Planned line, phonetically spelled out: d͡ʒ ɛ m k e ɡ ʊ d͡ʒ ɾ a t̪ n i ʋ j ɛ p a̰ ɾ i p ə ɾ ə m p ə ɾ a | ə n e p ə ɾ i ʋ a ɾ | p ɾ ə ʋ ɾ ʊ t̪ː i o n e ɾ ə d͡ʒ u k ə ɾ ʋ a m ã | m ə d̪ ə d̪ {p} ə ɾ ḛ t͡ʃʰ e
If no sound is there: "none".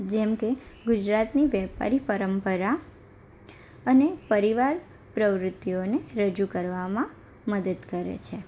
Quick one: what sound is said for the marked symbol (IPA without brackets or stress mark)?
k